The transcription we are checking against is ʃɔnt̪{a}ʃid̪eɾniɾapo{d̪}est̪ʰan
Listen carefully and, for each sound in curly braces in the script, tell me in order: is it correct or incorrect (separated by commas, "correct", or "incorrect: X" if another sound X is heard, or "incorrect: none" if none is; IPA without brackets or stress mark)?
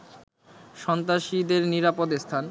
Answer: correct, correct